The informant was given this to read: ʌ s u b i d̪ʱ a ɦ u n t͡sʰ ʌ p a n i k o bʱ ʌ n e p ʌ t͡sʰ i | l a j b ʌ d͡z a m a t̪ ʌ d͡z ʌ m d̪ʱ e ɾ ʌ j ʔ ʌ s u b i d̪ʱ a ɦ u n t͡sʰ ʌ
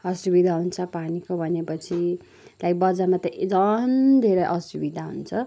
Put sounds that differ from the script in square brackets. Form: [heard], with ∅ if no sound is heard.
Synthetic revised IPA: ʌ s u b i d̪ʱ a ɦ u n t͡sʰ ʌ p a n i k o bʱ ʌ n e p ʌ t͡sʰ i | l a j b ʌ d͡z a m a t̪ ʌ d͡z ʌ [n] d̪ʱ e ɾ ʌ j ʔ ʌ s u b i d̪ʱ a ɦ u n t͡sʰ ʌ